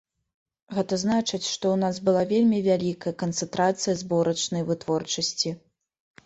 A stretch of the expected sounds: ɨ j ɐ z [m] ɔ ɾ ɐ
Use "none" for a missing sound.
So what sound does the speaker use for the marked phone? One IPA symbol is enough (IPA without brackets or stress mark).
b